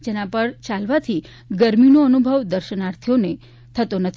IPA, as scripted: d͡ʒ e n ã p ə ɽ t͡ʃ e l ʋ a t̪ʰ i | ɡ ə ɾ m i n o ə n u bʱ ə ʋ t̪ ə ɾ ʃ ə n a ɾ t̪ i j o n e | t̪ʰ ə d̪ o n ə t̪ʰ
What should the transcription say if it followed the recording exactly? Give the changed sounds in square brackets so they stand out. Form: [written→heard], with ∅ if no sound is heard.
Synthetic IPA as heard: d͡ʒ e n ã p ə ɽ t͡ʃ [e→a] l ʋ a t̪ʰ i | ɡ ə ɾ m i n o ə n u bʱ ə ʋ [t̪→d̪] ə ɾ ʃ ə n a ɾ [t̪→t̪ʰ] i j o n e | t̪ʰ ə [d̪→t̪] o n ə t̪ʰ